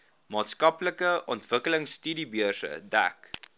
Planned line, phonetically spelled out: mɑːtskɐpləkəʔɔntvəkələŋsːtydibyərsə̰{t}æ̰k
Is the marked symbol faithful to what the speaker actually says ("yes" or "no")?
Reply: no